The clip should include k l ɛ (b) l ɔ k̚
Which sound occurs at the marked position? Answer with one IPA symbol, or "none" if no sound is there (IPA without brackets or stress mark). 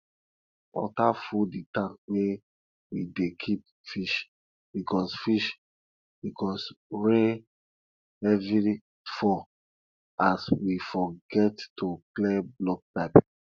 b